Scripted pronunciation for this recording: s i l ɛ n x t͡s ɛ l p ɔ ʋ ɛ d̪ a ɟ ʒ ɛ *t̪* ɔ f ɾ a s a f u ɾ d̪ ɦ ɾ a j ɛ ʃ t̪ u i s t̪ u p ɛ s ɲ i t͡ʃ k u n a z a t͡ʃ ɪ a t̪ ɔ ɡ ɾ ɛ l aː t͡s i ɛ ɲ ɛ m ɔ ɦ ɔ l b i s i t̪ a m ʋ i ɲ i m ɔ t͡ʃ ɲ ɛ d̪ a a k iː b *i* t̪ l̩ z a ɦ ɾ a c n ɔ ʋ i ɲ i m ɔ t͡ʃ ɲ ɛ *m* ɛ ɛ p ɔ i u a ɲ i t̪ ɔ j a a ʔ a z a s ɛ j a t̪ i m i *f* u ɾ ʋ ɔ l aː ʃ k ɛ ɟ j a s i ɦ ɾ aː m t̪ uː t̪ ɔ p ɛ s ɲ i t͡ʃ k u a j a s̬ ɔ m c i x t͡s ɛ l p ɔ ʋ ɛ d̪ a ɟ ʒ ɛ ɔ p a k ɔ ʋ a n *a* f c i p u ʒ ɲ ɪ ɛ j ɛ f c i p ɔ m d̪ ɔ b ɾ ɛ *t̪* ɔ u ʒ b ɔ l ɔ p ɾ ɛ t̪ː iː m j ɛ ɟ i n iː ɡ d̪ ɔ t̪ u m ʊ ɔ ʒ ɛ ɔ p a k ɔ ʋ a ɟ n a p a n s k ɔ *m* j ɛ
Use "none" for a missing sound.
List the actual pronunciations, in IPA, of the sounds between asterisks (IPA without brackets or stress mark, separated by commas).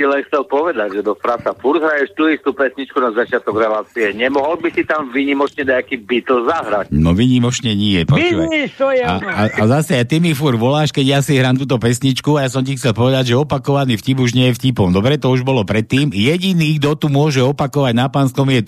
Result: d̪, i, ɲ, f, i, t̪, m